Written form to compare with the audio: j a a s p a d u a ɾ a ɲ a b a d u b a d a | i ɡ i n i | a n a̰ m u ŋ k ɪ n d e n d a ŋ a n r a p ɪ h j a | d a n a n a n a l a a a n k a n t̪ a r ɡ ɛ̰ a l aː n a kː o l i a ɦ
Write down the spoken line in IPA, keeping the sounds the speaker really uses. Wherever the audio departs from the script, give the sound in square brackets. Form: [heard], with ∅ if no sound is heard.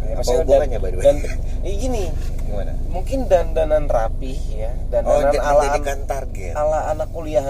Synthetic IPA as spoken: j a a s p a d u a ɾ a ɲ a b a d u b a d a | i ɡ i n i | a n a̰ m u ŋ k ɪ n d [a] n d a [n] a n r a p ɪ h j a | d a n a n a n a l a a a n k a n t̪ a r ɡ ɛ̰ a l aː n a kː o l i a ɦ